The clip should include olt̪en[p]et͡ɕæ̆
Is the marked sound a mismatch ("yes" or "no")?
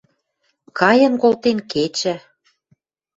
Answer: yes